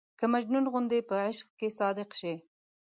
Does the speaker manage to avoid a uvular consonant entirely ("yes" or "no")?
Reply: no